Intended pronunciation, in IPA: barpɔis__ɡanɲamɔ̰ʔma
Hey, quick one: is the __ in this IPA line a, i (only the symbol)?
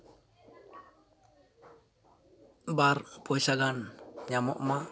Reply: a